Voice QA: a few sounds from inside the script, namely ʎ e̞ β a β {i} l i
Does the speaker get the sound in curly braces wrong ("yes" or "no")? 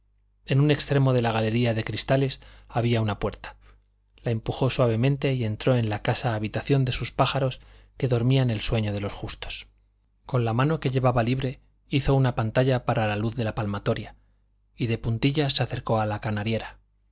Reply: yes